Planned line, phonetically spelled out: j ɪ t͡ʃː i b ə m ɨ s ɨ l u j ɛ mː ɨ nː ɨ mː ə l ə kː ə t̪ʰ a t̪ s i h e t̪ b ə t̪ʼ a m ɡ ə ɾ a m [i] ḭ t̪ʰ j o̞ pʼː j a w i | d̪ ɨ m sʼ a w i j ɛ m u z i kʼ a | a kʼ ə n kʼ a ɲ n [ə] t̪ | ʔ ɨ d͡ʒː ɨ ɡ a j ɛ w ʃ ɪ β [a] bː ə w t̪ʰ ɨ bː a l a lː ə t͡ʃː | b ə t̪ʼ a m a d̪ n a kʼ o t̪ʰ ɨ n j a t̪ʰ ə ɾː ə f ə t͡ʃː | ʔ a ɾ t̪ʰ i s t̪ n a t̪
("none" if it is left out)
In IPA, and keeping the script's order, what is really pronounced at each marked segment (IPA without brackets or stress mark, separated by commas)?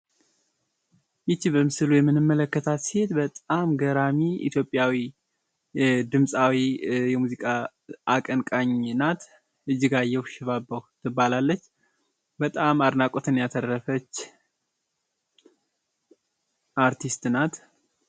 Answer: i, a, a